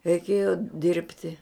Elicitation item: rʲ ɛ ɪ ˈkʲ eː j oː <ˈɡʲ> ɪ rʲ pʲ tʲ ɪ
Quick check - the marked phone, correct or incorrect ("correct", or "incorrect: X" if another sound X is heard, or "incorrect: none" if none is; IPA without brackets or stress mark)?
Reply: incorrect: dʲ